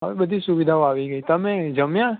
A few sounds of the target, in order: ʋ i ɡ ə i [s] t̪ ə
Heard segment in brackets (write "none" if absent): none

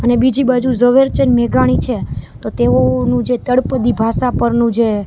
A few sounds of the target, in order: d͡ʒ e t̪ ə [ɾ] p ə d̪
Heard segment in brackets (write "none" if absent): ɽ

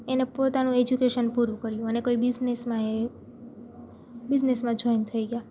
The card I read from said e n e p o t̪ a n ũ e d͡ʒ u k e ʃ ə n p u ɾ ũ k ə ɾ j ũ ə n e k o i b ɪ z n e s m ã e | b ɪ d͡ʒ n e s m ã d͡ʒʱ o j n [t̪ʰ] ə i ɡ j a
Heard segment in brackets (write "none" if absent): t̪ʰ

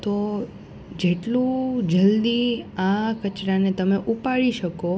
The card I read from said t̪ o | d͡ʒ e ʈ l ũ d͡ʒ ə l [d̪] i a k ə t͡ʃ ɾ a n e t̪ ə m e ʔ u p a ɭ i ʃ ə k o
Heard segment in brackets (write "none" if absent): d̪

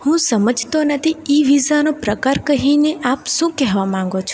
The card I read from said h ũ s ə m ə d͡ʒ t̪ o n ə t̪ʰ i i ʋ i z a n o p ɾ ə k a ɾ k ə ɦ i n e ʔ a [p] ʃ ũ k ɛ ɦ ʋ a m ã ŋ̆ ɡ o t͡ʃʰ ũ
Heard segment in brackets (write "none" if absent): p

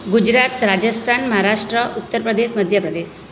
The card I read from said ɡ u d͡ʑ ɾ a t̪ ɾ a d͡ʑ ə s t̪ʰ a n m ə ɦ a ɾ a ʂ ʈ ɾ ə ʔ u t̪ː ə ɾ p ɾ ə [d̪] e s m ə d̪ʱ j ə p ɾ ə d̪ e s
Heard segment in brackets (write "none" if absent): d̪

